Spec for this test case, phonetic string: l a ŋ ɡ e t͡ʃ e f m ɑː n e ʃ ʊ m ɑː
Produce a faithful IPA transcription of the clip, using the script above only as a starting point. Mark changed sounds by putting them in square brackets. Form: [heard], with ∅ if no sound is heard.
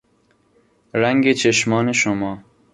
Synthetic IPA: [ɾ] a ŋ ɡ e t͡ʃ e [ʃ] m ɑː n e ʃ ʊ m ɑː

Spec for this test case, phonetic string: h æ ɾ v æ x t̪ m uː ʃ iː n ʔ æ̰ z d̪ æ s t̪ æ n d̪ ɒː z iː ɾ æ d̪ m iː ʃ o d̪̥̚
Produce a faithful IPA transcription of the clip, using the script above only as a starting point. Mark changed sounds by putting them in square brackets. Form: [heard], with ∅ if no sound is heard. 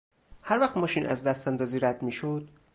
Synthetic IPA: h æ ɾ v æ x t̪ m [ɒː] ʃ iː n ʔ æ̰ z d̪ æ s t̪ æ n d̪ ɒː z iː ɾ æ d̪ m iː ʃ o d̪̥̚

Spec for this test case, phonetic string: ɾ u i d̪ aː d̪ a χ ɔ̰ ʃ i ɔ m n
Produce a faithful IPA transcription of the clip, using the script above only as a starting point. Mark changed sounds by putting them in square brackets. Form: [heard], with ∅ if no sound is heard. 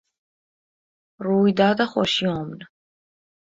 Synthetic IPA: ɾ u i d̪ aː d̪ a χ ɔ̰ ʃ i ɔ m n

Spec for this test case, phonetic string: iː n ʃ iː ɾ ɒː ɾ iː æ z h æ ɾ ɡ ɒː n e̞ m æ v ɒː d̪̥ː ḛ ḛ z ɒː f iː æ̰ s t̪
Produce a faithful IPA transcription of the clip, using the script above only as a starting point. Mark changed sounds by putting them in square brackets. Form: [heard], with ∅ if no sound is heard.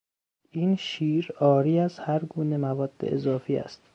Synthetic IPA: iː n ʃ iː ɾ ɒː ɾ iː æ z h æ ɾ ɡ [uː] n e̞ m æ v ɒː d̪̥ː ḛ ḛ z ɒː f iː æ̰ s t̪

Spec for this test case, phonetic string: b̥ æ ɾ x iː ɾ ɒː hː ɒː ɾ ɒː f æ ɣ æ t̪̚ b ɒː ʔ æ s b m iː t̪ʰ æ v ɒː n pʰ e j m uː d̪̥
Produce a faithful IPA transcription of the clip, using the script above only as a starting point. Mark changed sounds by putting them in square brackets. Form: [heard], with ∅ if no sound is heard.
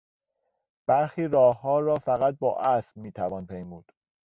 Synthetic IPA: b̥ æ ɾ x iː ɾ ɒː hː ɒː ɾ ɒː f æ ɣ æ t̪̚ b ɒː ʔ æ s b m iː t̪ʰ æ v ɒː n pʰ e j m uː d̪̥

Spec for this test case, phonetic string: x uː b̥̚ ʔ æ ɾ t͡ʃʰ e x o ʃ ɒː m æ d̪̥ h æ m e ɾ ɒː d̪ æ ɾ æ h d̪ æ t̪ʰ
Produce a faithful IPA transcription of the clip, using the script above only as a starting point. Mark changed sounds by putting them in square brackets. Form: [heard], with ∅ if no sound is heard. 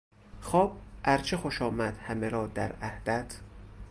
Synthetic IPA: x [ɒː] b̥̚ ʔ æ ɾ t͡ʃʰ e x o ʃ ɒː m æ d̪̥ h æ m e ɾ ɒː d̪ æ ɾ æ h d̪ æ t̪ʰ

